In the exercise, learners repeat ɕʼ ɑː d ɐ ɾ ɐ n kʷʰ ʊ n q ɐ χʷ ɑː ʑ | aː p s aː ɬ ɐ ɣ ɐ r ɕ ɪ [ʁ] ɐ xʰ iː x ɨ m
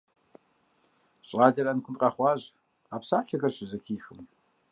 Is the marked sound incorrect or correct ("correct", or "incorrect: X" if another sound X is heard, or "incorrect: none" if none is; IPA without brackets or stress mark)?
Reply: incorrect: z